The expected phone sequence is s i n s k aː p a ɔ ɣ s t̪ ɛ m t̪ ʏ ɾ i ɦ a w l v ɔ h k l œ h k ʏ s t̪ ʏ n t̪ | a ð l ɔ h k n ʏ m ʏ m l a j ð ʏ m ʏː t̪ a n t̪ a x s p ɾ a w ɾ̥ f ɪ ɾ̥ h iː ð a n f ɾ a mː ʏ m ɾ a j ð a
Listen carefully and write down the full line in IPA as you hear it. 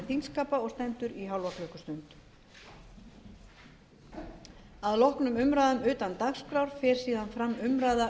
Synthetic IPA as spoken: θ i n s k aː p a ɔ ɣ s t̪ ɛ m t̪ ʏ ɾ i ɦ a w l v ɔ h k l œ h k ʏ s t̪ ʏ n t̪ | a ð l ɔ h k n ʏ m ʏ m ɾ a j ð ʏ m ʏː t̪ a n t̪ a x s k ɾ a w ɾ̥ f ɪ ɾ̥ s iː ð a n f ɾ a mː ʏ m ɾ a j ð a

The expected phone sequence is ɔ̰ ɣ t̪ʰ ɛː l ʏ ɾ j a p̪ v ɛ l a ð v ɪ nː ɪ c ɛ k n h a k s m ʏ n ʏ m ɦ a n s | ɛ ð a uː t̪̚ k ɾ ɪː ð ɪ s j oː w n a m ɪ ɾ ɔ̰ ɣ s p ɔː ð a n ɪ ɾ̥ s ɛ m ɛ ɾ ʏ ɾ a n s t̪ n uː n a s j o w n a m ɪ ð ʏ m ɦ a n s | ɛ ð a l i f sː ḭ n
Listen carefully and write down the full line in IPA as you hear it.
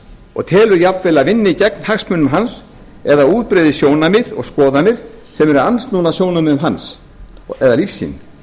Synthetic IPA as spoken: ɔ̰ ɣ t̪ʰ ɛː l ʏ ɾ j a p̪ v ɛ l a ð v ɪ nː ɪ c ɛ k n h a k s m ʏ n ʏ m ɦ a n s | ɛ ð a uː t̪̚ p ɾ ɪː ð ɪ s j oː w n a m ɪ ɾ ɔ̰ ɣ s k ɔː ð a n ɪ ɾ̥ s ɛ m ɛ ɾ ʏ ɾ a n s t̪ n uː n a s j o w n a m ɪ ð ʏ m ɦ a n s | ɛ ð a l i f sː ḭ n

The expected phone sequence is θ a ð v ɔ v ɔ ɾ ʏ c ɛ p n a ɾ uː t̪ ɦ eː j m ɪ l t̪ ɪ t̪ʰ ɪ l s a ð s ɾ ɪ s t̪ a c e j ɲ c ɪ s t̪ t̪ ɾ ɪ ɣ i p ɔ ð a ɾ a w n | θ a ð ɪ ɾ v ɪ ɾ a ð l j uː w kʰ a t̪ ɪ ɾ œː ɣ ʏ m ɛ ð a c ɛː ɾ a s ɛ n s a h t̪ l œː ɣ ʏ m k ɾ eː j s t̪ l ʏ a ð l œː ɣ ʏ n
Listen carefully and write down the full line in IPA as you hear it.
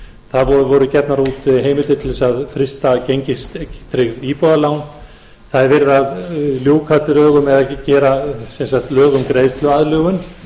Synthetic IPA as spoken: θ a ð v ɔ v ɔ ɾ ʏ c ɛ p n a ɾ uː t̪ ɦ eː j m ɪ l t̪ ɪ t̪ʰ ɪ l s a ð f ɾ ɪ s t̪ a c e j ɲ c ɪ s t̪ t̪ ɾ ɪ ɣ i p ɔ ð a l a w n | θ a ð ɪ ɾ v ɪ ɾ a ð l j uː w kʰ a t̪ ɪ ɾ œː ɣ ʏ m ɛ ð a c ɛː ɾ a s ɛ n s a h t̪ l œː ɣ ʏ m k ɾ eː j s t̪ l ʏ a ð l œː ɣ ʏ n

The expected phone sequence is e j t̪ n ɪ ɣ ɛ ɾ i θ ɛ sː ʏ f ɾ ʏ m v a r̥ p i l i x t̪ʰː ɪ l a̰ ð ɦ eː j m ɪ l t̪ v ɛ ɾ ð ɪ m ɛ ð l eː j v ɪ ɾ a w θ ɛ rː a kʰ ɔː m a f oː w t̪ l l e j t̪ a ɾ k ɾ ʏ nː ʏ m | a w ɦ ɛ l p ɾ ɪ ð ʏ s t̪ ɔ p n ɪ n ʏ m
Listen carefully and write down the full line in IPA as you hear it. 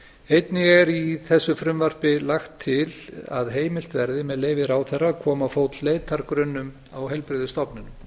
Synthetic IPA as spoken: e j t̪ n ɪ ɣ ɛ ɾ i θ ɛ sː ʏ f ɾ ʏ m v a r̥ p ɪ l a x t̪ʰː ɪ l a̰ ð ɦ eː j m ɪ l t̪ v ɛ ɾ ð ɪ m ɛ ð l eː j v ɪ ɾ a w θ ɛ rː a kʰ ɔː m a f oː w t̪ l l e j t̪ a ɾ k ɾ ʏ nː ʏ m | a w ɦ ɛ l p ɾ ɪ ð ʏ s t̪ ɔ p n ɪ n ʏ m

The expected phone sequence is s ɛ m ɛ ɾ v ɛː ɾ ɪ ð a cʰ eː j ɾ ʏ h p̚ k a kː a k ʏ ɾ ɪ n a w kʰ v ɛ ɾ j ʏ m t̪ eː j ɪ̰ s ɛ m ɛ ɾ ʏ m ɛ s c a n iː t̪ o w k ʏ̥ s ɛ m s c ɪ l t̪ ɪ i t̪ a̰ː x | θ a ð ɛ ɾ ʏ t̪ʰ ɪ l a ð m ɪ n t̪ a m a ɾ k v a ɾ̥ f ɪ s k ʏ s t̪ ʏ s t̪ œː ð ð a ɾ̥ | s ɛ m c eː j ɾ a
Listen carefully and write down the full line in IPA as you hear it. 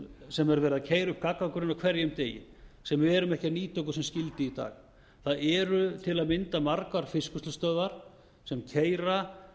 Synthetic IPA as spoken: s ɛ m ɛ ɾ v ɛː ɾ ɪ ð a cʰ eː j ɾ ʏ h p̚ k a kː a k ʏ ɾ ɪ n a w kʰ v ɛ ɾ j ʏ m t̪ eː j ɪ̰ s ɛ m ɛ ɾ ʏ m ɛ h c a n iː t̪ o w k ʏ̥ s ɛ m s c ɪ l t̪ ɪ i t̪ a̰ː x | θ a ð ɛ ɾ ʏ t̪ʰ ɪ l a ð m ɪ n t̪ a m a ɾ k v a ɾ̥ f ɪ s k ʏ s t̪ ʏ s t̪ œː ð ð a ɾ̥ | s ɛ m cʰ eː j ɾ a

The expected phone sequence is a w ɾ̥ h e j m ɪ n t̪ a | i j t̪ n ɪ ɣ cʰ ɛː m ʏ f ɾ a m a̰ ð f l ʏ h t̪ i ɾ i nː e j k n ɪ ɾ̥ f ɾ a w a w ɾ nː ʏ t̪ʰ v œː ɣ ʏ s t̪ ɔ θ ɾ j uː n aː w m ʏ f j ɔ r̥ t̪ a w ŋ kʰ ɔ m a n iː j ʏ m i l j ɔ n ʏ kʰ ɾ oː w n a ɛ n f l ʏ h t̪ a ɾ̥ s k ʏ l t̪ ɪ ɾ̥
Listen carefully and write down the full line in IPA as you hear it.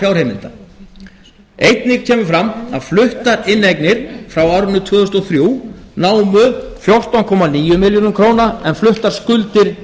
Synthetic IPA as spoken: a w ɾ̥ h e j m ɪ n t̪ a | e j t̪ n ɪ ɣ cʰ ɛː m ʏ f ɾ a m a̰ ð f l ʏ h t̪ a ɾ ɪ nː e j k n ɪ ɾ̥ f ɾ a w a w ɾ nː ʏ t̪ʰ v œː ð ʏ s t̪ ɔ θ ɾ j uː n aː w m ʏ f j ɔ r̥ t̪ a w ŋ kʰ ɔ m a n iː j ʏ m ɪ l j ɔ n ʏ kʰ ɾ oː w n a ɛ n f l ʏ h t̪ a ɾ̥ s k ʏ l t̪ ɪ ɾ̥

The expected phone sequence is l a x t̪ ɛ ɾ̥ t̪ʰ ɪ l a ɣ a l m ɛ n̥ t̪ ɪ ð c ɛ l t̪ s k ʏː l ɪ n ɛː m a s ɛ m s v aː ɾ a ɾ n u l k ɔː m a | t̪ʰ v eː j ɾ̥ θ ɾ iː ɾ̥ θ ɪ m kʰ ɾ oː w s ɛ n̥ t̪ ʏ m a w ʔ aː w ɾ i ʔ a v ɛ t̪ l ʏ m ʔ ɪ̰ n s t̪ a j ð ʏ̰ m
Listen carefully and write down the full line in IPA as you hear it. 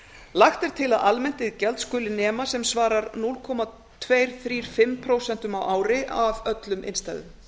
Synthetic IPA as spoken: l a x t̪ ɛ ɾ̥ t̪ʰ ɪ l a ð a l m ɛ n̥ t̪ ɪ ð c ɛ l t̪ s k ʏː l ɪ n ɛː m a s ɛ m s v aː ɾ a ɾ n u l kʰ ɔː m a | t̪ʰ v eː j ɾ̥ θ ɾ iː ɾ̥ f ɪ m pʰ ɾ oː w s ɛ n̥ t̪ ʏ m a w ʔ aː w ɾ ɪ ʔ a v œ t̪ l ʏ m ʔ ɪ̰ n s t̪ a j ð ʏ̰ m

